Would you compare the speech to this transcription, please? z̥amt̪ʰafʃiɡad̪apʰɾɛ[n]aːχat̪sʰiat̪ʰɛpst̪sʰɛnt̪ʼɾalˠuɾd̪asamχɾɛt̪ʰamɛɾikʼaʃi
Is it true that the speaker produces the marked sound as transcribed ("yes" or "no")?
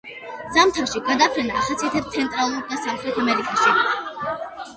yes